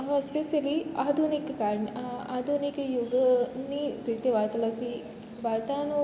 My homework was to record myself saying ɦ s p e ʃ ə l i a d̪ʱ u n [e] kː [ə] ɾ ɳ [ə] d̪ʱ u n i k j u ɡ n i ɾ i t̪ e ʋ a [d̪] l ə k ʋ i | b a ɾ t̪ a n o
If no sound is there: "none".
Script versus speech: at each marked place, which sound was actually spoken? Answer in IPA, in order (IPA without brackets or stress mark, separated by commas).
i, a, a, t̪